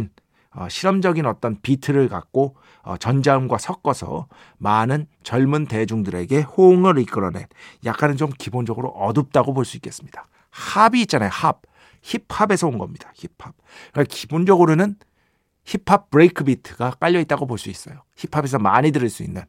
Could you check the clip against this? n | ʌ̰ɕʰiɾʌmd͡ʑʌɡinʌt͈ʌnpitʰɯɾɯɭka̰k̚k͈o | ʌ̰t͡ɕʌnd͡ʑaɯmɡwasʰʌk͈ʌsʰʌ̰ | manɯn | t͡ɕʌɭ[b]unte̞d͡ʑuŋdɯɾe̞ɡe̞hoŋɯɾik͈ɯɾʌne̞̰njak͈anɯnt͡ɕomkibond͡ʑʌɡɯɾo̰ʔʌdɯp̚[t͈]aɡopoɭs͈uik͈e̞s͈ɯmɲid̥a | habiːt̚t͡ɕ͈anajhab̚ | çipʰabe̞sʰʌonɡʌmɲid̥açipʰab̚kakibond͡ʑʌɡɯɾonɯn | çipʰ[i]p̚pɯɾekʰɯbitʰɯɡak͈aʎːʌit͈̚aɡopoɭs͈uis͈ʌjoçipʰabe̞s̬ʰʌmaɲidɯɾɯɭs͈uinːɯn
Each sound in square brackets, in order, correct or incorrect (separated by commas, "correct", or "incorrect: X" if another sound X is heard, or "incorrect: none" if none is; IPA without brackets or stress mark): incorrect: m, correct, incorrect: a